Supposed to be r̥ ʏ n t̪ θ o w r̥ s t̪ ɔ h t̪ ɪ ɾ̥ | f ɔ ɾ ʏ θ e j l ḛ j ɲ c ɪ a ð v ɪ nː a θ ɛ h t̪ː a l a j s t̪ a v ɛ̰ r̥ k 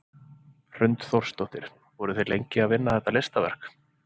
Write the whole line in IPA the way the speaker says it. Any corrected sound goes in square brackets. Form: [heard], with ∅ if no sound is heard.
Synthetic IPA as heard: r̥ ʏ n t̪ θ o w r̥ s t̪ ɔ h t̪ ɪ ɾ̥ | [v] ɔ ɾ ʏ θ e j l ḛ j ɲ c ɪ a ð v ɪ nː a θ ɛ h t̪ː a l [e] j s t̪ a v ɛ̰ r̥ k